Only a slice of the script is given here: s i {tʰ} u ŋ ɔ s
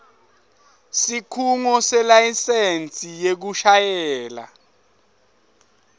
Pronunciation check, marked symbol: incorrect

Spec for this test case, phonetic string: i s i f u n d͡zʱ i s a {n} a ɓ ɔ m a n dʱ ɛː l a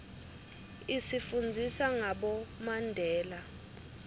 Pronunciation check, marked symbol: incorrect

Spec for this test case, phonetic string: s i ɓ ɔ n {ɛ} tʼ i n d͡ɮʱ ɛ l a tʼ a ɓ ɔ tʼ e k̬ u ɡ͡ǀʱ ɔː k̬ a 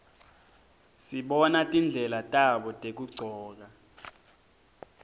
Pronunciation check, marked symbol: incorrect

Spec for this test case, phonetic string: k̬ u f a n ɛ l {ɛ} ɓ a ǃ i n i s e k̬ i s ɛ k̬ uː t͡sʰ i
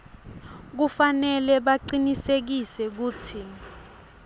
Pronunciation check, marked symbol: correct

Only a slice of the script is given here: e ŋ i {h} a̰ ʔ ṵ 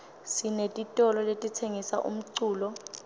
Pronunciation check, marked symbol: incorrect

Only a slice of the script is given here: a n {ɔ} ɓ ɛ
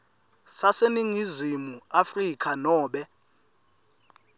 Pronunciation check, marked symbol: incorrect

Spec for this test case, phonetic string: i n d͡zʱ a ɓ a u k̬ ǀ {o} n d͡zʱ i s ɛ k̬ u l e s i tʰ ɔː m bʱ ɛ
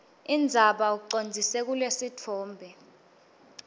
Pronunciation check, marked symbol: correct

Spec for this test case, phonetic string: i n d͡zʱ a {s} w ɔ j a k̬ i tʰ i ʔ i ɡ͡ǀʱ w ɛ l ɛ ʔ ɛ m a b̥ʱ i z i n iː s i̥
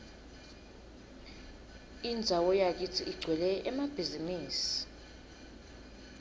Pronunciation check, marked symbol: incorrect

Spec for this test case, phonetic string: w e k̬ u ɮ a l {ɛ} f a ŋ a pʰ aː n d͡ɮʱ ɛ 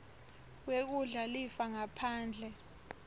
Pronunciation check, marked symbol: incorrect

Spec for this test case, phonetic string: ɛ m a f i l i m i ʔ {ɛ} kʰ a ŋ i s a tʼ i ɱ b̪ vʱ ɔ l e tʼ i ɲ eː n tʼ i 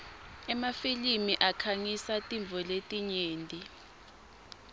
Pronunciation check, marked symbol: incorrect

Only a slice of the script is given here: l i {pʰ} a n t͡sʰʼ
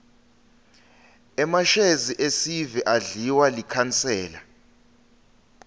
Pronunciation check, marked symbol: incorrect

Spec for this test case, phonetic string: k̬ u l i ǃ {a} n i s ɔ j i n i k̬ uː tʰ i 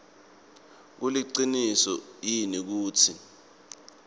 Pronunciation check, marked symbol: incorrect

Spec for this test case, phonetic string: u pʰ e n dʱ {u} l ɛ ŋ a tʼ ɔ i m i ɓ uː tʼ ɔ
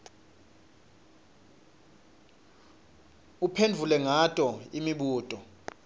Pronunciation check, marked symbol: correct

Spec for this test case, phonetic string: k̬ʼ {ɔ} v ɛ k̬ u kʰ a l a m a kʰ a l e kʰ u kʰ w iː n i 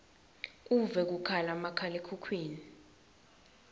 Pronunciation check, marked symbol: incorrect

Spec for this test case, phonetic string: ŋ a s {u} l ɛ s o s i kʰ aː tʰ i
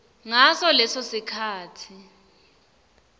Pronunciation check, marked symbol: incorrect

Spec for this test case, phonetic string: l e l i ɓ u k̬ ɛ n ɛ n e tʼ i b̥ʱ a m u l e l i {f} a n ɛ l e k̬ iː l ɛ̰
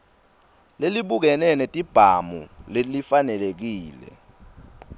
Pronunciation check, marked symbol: correct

